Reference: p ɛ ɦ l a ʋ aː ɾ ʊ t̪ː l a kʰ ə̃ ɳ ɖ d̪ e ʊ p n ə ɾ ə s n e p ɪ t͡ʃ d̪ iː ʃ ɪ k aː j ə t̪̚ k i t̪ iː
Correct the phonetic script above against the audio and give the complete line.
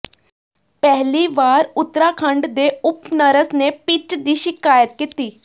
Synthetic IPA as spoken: p ɛ ɦ l i ʋ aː ɾ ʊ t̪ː ɾ a kʰ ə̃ ɳ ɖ d̪ e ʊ p n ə ɾ ə s n e p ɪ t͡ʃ d̪ iː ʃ ɪ k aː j ə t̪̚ k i t̪ iː

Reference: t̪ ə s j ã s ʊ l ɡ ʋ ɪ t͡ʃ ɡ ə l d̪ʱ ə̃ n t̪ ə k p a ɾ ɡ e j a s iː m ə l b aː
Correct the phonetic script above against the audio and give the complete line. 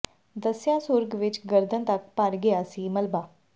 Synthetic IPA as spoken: d̪ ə s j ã s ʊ ɾ ɡ ʋ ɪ t͡ʃ ɡ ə ɾ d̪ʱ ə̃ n t̪ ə k p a ɾ ɡ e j a s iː m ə l b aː

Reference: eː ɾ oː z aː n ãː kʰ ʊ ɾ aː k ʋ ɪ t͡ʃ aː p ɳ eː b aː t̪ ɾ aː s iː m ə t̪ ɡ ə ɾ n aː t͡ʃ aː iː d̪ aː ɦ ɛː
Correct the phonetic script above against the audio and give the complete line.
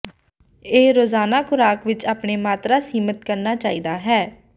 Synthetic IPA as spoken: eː ɾ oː z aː n aː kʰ ʊ ɾ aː k ʋ ɪ t͡ʃ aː p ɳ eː m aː t̪ ɾ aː s iː m ə t̪ k ə ɾ n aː t͡ʃ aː iː d̪ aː ɦ ɛː

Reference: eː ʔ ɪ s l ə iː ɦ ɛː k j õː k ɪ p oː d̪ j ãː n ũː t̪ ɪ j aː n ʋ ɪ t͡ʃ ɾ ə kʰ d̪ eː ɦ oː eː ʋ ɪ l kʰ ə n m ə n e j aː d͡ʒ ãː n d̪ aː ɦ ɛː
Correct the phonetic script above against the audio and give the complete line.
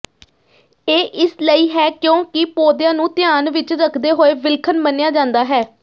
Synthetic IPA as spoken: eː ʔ ɪ s l ə iː ɦ ɛː k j õː k ɪ p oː d̪ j ãː n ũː t̪ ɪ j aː n ʋ ɪ t͡ʃ ɾ ə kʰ d̪ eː ɦ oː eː ʋ ɪ l kʰ ə n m ə n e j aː d͡ʒ ãː n d̪ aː ɦ ɛː

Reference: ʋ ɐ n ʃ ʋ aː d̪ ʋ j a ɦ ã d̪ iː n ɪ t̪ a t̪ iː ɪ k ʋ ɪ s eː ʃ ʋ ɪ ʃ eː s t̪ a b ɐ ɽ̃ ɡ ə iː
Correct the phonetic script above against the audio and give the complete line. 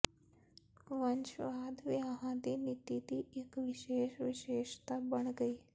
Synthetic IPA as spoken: ʋ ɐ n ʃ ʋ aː d̪ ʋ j a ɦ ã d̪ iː n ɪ t̪ i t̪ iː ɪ k ʋ ɪ ʃ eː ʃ ʋ ɪ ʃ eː ʃ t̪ a b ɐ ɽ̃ ɡ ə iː

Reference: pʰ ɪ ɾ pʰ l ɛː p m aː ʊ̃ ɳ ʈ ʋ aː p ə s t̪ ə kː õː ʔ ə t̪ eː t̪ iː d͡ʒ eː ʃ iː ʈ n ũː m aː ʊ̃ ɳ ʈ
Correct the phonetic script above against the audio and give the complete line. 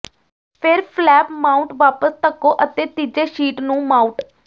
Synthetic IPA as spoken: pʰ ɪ ɾ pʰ l ɛː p m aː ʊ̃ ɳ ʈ ʋ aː p ə s t̪ ə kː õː ʔ ə t̪ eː t̪ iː d͡ʒ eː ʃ iː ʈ n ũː m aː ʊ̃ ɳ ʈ

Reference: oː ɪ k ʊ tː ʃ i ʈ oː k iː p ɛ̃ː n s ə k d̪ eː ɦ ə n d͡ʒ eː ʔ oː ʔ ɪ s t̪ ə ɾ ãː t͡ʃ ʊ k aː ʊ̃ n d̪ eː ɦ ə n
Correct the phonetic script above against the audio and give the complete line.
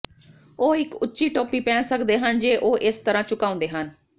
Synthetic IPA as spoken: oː ɪ k ʊ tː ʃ iː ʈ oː p iː p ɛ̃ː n s ə k d̪ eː ɦ ə n d͡ʒ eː ʔ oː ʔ ɪ s t̪ ə ɾ ãː t͡ʃ ʊ k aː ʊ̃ n d̪ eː ɦ ə n

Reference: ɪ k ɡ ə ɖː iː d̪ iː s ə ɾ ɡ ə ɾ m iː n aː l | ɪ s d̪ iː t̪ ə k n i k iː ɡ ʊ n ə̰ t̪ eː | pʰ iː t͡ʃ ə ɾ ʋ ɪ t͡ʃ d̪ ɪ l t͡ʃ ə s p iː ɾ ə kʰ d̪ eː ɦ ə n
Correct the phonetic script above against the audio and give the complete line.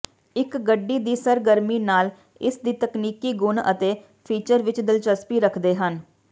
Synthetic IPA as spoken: ɪ k ɡ ə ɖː iː d̪ iː s ə ɾ ɡ ə ɾ m iː n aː l | ɪ s d̪ iː t̪ ə k n iː k iː ɡ ʊ n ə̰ t̪ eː | pʰ iː t͡ʃ ə ɾ ʋ ɪ t͡ʃ d̪ ɪ l t͡ʃ ə s p iː ɾ ə kʰ d̪ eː ɦ ə n

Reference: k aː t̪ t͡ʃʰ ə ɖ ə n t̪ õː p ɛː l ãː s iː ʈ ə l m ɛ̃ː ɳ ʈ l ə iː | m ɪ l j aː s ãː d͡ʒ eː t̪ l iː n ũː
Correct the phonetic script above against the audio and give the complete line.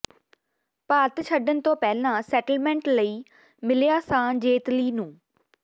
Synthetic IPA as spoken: p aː t̪ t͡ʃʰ ə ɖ ə n t̪ õː p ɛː l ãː s ɛː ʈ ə l m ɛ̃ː ɳ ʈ l ə iː | m ɪ l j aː s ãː d͡ʒ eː t̪ l iː n ũː

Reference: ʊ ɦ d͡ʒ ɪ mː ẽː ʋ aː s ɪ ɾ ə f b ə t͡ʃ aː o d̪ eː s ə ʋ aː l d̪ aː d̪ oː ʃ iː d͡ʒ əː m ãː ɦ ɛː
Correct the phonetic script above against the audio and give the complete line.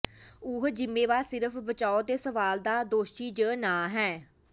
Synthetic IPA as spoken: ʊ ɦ d͡ʒ ɪ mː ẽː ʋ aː s ɪ ɾ ə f b ə t͡ʃ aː o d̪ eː s ə ʋ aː l d̪ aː d̪ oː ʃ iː d͡ʒ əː n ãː ɦ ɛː

